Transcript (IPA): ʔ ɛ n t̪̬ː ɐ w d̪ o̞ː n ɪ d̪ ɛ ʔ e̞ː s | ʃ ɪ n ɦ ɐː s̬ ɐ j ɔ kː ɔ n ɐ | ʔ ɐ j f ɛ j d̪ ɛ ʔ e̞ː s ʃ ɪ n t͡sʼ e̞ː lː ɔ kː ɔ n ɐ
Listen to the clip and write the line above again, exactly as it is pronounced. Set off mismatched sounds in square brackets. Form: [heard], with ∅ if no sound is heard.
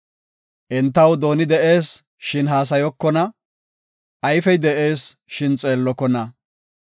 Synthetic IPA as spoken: ʔ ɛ n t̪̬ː ɐ w d̪ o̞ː n ɪ d̪ ɛ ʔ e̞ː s | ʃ ɪ n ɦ [aː] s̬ ɐ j ɔ kː ɔ n ɐ | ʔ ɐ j f ɛ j d̪ ɛ ʔ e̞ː s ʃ ɪ n t͡sʼ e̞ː lː ɔ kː ɔ n ɐ